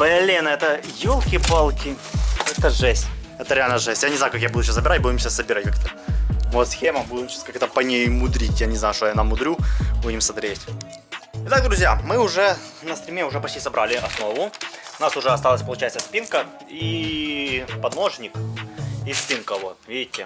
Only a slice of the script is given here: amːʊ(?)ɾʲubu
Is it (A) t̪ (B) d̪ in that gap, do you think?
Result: B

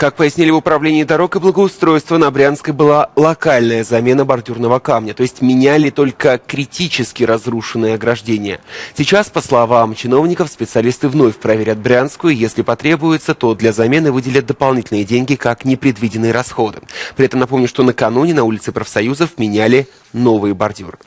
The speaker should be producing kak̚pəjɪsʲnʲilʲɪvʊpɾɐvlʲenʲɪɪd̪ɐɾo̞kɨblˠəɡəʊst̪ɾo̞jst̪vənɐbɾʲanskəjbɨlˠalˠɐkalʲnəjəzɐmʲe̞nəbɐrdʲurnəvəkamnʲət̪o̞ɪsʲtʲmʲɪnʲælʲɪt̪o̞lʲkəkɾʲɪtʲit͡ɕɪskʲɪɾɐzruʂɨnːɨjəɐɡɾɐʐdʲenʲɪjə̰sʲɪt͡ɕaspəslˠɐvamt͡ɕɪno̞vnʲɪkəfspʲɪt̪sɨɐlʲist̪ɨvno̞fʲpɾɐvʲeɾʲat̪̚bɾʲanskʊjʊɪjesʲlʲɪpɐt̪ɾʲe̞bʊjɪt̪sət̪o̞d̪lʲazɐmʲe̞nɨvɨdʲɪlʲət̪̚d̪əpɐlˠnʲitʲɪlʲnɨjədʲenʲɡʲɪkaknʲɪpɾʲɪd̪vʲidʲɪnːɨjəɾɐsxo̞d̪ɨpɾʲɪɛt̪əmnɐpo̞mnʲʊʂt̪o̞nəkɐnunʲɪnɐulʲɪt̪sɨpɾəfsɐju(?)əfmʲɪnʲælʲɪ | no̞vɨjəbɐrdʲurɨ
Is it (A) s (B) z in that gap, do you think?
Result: B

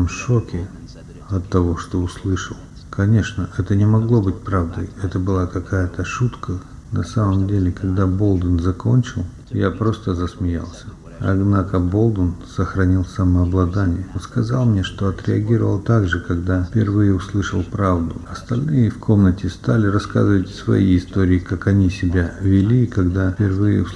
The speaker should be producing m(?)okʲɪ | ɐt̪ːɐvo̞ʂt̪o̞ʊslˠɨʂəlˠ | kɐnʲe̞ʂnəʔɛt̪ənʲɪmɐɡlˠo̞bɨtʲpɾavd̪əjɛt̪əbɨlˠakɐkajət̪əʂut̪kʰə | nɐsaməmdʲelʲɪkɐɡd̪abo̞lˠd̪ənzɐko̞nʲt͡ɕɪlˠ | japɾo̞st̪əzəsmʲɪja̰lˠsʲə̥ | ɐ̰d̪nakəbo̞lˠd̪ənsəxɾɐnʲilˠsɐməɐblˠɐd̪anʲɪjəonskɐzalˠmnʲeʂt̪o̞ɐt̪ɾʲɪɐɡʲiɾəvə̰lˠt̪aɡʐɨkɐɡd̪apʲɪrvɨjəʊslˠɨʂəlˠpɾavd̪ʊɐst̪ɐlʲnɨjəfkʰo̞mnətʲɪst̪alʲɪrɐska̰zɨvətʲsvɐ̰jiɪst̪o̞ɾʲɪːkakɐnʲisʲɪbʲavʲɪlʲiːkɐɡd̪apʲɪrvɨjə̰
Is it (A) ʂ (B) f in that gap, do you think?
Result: A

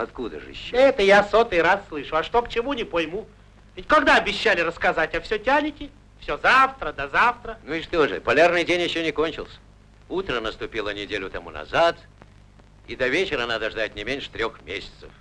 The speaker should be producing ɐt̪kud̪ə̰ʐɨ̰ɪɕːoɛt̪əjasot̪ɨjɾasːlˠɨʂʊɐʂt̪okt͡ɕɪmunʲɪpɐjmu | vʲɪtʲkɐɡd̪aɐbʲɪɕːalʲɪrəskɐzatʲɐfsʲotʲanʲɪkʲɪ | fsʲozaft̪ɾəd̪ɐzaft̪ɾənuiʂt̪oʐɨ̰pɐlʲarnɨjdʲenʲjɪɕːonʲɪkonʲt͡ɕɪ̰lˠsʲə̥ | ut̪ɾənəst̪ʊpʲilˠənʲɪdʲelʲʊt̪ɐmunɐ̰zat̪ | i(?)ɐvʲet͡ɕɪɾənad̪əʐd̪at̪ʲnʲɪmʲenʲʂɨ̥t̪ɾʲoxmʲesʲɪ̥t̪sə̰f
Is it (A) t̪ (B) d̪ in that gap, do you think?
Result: B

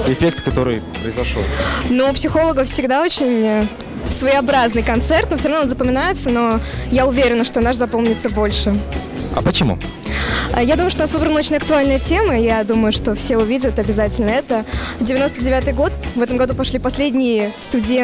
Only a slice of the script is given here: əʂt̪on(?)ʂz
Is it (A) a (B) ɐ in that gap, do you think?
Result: A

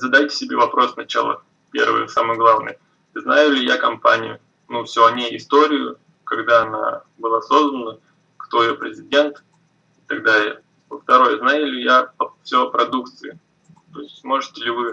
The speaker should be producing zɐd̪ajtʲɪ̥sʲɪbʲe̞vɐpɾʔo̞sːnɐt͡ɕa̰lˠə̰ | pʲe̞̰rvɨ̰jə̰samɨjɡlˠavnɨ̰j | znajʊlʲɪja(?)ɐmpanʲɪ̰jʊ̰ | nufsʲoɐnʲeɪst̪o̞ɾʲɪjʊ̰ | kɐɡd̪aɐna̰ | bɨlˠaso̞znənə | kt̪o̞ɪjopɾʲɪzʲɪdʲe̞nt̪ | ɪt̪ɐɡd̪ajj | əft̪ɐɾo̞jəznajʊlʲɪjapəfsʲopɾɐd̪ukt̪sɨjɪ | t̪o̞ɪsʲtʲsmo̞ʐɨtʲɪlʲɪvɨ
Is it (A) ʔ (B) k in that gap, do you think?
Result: B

